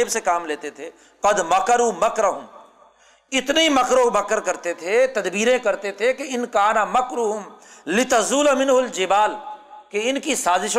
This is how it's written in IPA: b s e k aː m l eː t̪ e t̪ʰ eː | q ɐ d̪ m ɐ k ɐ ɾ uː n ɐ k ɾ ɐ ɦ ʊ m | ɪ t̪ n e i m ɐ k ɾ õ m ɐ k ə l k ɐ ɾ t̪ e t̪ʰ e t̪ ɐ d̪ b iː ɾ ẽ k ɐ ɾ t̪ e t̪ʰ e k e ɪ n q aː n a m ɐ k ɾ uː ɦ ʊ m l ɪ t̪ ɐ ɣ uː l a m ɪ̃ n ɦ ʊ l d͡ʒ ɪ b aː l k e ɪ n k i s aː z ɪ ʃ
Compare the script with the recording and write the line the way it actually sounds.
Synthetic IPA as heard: b s e k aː m l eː t̪ e t̪ʰ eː | q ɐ d̪ m ɐ k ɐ ɾ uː m ɐ k ɾ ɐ ɦ ʊ m | ɪ t̪ n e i m ɐ k ɾ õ m ɐ k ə ɾ k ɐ ɾ t̪ e t̪ʰ e t̪ ɐ d̪ b iː ɾ ẽ k ɐ ɾ t̪ e t̪ʰ e k e ɪ n k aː n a m ɐ k ɾ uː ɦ ʊ m l ɪ t̪ ɐ z uː l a m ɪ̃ n ɦ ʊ l d͡ʒ ɪ b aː l k e ɪ n k i s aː z ɪ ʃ